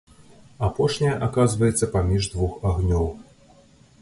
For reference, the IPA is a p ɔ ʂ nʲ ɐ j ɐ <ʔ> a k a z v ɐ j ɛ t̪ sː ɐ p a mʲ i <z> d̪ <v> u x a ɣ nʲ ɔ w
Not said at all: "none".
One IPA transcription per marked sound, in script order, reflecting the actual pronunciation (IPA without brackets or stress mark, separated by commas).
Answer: ʔ, ʐ, v